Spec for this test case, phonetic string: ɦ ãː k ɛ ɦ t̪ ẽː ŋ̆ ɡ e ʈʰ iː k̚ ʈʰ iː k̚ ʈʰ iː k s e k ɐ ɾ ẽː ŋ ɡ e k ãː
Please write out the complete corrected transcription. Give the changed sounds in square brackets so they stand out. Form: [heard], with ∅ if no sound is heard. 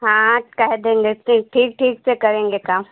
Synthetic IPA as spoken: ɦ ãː k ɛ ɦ [d̪] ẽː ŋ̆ ɡ e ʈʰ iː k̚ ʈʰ iː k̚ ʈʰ iː k s e k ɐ ɾ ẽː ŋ ɡ e k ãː